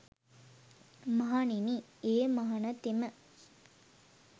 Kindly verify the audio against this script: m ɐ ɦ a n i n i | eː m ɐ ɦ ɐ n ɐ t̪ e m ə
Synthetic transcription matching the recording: m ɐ ɦ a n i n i | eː m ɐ ɦ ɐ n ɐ t̪ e m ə